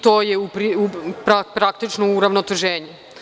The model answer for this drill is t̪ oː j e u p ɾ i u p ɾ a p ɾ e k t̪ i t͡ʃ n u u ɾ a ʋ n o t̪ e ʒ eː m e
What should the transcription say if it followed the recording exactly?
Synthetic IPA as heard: t̪ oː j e u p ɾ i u p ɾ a p ɾ a k t̪ i t͡ʃ n o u ɾ a ʋ n o t̪ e ʒ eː ɲ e

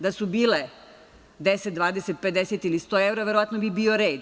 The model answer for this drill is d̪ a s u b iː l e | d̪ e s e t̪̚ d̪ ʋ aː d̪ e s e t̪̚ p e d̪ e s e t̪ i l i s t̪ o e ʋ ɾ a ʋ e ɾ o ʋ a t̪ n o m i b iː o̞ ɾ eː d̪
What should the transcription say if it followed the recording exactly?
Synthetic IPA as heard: d̪ a s u b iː l e | d̪ e s e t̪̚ d̪ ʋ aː d̪ e s e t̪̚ p e d̪ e s e t̪ i l i s t̪ o e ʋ ɾ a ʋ e ɾ o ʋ a t̪ n o b i b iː o̞ ɾ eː d̪

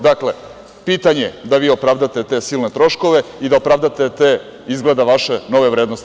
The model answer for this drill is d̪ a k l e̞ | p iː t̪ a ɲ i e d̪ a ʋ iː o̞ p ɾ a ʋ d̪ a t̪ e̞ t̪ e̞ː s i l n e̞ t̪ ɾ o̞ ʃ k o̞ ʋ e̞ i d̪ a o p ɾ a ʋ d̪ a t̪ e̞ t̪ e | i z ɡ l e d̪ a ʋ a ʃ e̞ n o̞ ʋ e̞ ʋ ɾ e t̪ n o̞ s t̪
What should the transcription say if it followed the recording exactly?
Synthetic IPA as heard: d̪ a k l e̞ | p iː t̪ a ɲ e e d̪ a ʋ iː o̞ p ɾ a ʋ d̪ a t̪ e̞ t̪ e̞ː s i l n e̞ t̪ ɾ o̞ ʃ k o̞ ʋ e̞ i d̪ a o p ɾ a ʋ d̪ a t̪ e̞ t̪ e | i z ɡ l e d̪ a ʋ a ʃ e̞ n o̞ ʋ e̞ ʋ ɾ e d̪ n o̞ s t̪

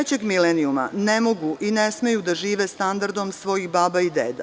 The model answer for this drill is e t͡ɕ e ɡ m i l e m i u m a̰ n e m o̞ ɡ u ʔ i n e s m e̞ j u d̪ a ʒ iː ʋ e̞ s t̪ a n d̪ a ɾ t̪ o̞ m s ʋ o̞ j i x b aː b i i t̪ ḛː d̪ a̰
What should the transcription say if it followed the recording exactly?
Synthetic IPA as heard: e t͡ɕ e ɡ m i l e n i u m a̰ n e m o̞ ɡ u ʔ i n e s m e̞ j u d̪ a ʒ iː ʋ e̞ s t̪ a n d̪ a ɾ d̪ o̞ m s ʋ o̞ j i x b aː b a i d̪ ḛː d̪ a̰

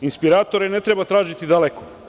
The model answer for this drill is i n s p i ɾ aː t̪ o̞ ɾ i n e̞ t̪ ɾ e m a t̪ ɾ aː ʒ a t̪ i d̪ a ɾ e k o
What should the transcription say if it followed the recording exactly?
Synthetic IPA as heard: i n s p i ɾ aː t̪ o̞ ɾ e n e̞ t̪ ɾ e b a t̪ ɾ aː ʒ i t̪ i d̪ a l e k o

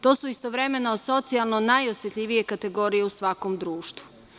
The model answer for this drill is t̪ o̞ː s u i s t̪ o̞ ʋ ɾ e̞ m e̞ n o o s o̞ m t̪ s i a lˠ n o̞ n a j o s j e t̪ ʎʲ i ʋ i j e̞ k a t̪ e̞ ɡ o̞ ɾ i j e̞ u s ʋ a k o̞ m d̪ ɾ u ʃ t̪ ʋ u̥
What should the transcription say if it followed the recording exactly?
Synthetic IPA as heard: t̪ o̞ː s u i s t̪ o̞ ʋ ɾ e̞ m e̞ n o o s o̞ t̪ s i a lˠ n o̞ n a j o s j e t̪ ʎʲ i ʋ i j e̞ k a t̪ e̞ ɡ o̞ ɾ i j e̞ u s ʋ a k o̞ m d̪ ɾ uː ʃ t̪ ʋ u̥

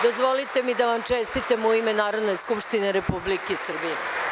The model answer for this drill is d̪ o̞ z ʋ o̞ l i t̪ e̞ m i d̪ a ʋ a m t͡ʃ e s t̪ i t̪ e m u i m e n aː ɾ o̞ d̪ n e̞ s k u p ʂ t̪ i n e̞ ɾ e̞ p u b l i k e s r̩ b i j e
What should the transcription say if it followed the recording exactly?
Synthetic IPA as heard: d̪ o̞ z ʋ o̞ l i t̪ e̞ m i d̪ a ʋ a m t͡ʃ e s t̪ i t̪ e m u i m e n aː ɾ o̞ d̪ n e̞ s k u p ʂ t̪ i n e̞ ɾ e̞ p u b l i k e s r̩ b i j e

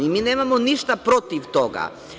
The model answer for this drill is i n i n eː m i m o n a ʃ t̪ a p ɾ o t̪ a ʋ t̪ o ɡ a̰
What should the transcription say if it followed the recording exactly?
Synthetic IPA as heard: i m i n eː m a m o n i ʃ t̪ a p ɾ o t̪ i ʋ t̪ o ɡ a̰

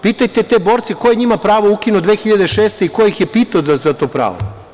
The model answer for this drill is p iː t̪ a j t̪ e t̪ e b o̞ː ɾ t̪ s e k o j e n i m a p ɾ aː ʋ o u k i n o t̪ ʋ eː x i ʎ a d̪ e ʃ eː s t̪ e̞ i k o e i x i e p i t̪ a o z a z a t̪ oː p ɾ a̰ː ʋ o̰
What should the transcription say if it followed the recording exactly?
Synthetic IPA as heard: p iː t̪ a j t̪ e t̪ e b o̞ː ɾ t̪ s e k o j e ɲ i m a p ɾ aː ʋ o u k i n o d̪ ʋ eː x i ʎ a d̪ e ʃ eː s t̪ e̞ i k o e i x j e p i t̪ a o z a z a t̪ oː p ɾ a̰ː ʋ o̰

